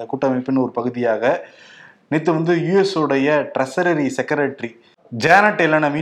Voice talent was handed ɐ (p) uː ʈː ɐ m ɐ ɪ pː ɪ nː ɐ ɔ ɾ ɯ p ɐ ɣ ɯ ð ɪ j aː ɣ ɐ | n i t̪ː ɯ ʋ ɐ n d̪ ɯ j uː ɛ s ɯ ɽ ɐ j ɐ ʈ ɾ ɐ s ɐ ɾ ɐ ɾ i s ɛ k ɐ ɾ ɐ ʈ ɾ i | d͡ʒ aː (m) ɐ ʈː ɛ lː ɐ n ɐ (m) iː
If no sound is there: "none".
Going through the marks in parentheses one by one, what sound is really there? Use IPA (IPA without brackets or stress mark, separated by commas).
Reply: k, n, m